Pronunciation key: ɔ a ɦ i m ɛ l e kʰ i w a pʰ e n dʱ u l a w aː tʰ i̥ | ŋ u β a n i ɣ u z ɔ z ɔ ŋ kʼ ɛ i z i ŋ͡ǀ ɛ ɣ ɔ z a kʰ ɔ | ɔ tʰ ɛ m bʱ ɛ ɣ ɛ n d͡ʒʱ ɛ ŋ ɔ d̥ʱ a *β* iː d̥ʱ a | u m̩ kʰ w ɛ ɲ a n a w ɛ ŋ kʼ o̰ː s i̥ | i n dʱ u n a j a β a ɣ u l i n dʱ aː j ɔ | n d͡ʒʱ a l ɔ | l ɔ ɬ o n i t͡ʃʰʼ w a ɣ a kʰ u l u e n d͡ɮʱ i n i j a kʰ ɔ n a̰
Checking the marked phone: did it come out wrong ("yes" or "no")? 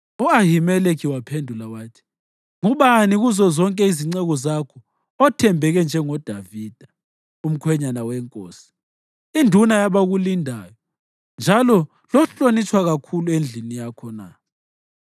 yes